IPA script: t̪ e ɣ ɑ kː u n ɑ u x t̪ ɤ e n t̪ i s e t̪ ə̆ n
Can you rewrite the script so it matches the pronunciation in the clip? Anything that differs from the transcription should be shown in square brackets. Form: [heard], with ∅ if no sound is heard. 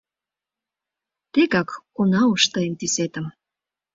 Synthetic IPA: t̪ e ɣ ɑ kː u n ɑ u [ʃ] t̪ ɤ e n t̪ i s e t̪ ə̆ [m]